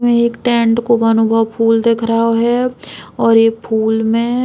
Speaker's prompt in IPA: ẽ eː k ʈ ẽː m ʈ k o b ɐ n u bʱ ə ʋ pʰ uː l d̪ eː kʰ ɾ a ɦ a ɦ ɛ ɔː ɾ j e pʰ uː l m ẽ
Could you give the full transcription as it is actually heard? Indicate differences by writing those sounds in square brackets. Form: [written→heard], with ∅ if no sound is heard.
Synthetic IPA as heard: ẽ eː k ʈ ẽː [m→ɳ] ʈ k o b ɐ n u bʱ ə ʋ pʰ uː l d̪ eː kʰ ɾ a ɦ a ɦ ɛ ɔː ɾ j e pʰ uː l m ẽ